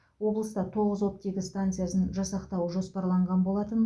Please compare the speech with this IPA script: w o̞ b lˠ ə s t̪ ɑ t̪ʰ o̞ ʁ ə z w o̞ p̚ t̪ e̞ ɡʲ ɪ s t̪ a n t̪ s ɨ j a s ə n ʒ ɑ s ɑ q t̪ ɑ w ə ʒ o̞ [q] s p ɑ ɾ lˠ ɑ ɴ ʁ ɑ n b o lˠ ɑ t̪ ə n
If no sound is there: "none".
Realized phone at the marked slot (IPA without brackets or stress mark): none